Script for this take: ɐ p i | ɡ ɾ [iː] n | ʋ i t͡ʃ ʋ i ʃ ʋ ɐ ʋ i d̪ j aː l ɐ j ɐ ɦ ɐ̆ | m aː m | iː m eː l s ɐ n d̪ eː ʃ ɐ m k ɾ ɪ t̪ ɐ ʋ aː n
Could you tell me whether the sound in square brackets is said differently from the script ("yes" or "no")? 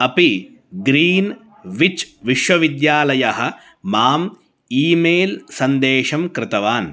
no